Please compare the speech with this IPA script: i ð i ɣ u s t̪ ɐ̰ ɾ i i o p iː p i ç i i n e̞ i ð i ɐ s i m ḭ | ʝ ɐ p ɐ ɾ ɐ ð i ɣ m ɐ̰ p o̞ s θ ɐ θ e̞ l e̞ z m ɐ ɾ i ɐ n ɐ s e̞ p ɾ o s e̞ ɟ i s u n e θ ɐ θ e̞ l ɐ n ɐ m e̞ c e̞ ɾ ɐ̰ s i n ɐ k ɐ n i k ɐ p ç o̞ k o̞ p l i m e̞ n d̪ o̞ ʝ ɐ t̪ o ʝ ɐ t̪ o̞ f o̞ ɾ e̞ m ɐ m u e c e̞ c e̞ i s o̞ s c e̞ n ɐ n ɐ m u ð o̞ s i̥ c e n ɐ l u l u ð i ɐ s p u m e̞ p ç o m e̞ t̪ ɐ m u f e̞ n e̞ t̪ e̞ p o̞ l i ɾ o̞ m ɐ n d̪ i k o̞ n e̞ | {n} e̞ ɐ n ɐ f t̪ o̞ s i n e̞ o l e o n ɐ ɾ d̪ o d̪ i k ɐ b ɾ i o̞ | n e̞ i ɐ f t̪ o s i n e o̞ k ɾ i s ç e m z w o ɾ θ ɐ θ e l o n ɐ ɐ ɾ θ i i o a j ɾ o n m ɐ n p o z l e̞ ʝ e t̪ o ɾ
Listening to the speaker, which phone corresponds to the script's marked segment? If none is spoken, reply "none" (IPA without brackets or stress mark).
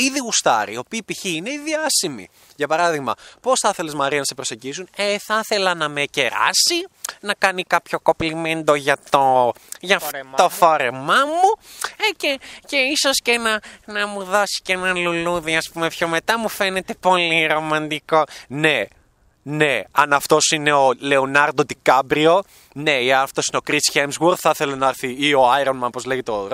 n